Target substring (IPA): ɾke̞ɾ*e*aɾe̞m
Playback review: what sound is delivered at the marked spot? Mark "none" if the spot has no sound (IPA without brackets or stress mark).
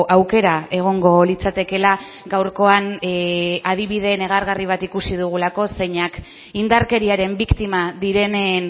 i